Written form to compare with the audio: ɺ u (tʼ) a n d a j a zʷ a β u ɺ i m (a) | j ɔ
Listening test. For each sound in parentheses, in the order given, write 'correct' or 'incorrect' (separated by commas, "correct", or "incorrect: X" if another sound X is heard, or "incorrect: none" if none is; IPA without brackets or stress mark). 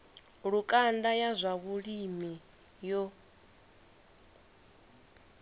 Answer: incorrect: kʼ, incorrect: i